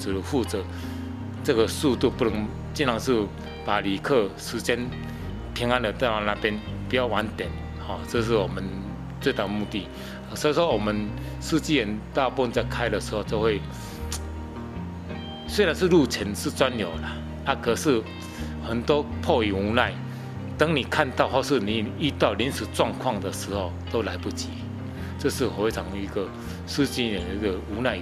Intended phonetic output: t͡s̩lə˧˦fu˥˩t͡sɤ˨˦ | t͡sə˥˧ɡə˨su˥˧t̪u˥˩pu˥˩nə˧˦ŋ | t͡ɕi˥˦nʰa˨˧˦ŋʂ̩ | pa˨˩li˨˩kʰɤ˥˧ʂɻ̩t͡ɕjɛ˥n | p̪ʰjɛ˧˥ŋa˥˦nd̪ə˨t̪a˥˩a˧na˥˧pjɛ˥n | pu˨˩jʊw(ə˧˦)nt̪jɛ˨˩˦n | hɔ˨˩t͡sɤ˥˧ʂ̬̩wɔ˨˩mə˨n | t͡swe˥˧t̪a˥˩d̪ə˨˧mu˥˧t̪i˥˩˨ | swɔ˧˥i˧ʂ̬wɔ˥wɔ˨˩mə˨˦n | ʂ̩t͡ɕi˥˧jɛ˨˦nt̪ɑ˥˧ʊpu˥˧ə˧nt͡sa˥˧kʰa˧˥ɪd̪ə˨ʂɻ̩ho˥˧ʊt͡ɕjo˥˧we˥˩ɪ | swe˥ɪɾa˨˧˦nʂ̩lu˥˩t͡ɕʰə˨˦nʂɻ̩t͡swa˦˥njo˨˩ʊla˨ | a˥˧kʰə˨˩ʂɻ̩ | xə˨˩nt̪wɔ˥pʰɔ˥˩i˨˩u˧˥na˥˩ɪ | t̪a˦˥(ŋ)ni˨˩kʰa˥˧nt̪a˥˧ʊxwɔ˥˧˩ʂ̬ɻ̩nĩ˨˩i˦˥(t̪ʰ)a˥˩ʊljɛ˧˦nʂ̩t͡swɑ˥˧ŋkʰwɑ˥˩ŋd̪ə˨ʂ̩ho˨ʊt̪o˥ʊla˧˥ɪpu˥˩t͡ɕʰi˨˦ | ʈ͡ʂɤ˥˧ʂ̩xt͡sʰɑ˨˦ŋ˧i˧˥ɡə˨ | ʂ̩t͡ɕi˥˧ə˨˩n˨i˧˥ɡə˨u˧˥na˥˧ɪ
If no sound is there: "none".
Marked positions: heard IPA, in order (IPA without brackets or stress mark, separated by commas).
a˧˦, ŋ, t̪